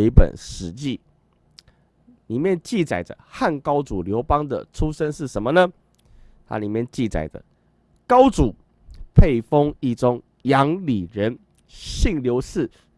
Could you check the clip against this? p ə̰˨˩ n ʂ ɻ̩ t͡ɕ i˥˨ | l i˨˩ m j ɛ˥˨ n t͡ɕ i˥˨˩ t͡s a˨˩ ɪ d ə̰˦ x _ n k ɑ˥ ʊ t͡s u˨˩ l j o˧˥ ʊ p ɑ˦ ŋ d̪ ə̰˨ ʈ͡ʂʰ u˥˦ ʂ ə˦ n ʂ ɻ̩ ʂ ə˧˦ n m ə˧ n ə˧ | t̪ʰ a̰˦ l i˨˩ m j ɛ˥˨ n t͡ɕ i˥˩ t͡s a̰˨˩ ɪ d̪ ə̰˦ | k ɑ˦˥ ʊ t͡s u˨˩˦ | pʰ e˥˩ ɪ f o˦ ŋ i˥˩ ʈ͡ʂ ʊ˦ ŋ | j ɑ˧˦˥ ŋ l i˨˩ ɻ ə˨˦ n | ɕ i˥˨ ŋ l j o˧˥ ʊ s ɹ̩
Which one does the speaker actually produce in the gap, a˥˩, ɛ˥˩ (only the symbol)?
a˥˩